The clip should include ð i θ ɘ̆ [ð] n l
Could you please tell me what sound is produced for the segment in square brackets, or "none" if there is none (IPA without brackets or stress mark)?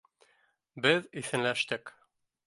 none